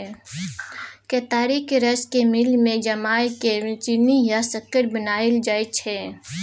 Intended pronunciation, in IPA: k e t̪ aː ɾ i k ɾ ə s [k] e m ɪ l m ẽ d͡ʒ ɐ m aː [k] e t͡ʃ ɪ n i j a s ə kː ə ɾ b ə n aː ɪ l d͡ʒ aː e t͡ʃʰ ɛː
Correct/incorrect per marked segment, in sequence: correct, correct

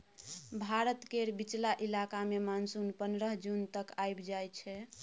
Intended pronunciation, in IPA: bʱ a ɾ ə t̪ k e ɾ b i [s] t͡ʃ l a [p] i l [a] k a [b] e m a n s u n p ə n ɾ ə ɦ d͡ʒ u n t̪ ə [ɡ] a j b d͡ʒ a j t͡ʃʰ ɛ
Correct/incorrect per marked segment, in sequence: incorrect, incorrect, correct, incorrect, incorrect

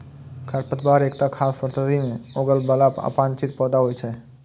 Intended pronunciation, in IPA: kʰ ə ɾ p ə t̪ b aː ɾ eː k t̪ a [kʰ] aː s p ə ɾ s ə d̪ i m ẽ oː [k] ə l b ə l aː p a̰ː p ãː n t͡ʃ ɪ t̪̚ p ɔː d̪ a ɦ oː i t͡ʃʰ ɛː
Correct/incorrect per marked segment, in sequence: correct, incorrect

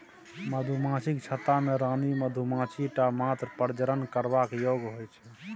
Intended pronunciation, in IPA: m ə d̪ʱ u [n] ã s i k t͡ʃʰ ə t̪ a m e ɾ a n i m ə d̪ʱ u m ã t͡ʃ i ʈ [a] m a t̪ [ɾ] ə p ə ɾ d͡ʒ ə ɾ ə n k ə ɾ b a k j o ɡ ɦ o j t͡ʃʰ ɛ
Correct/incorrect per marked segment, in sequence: incorrect, correct, correct

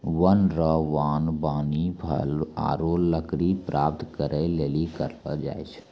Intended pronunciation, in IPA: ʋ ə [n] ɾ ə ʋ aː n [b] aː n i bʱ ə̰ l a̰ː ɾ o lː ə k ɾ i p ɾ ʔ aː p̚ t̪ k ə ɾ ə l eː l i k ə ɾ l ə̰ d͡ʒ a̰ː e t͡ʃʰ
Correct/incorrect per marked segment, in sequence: correct, correct

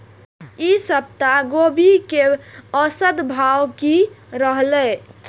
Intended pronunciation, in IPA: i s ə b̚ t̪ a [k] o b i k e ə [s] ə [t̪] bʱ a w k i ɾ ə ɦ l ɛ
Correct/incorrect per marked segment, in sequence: incorrect, correct, incorrect

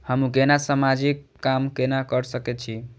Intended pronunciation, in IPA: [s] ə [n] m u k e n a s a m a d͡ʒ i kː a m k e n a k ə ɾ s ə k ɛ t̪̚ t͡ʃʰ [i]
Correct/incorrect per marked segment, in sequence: incorrect, incorrect, correct

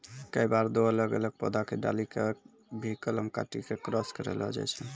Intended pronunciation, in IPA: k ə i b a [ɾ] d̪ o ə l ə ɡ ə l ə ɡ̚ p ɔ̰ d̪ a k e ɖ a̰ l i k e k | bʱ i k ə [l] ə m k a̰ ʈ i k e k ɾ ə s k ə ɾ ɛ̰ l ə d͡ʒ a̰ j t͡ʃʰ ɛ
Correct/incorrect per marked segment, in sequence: correct, correct

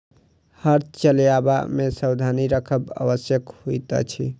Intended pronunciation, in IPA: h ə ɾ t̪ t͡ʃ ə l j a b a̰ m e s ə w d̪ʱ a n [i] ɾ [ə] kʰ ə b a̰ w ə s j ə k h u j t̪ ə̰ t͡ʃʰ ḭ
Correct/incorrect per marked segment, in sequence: correct, correct

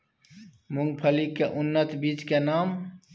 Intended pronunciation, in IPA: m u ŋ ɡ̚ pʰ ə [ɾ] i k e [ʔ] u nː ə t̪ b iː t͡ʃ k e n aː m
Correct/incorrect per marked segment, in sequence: incorrect, correct

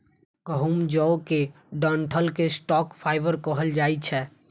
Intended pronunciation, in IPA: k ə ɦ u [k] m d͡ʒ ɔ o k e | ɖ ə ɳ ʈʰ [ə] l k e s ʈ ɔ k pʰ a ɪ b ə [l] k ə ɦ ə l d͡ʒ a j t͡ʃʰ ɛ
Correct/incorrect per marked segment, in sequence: incorrect, correct, incorrect

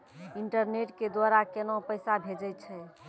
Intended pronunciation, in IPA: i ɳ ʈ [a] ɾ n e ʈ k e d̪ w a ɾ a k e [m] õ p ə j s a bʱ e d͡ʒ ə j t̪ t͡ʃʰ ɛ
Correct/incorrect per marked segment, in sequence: incorrect, incorrect

